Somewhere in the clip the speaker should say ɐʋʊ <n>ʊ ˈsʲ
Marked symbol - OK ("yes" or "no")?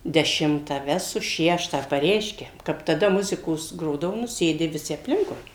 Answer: yes